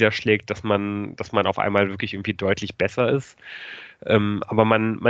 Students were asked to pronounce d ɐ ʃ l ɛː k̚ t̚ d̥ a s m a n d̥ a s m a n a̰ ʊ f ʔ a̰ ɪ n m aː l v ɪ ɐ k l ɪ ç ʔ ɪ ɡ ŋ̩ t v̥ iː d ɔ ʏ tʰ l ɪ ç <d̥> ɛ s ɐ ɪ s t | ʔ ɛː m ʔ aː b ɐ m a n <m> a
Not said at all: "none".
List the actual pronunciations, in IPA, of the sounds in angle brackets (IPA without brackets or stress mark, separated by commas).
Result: b̥, m